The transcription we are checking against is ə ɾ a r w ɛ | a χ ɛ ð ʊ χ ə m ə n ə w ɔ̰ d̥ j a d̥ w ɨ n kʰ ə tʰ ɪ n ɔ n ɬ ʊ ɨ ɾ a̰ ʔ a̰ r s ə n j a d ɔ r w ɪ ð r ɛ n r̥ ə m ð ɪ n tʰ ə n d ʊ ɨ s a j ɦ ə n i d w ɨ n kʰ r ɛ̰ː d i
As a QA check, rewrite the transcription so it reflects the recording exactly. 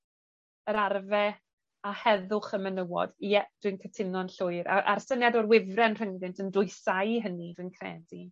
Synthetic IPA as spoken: ə ɾ a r v ɛ | a h ɛ ð ʊ χ ə m ə n ə w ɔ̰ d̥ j ɛ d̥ w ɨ n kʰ ə tʰ ɪ n ɔ n ɬ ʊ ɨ ɾ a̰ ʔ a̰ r s ə n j a d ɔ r w ɪ v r ɛ n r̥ ə ŋ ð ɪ n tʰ ə n d ʊ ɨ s a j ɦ ə n i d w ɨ n kʰ r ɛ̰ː d i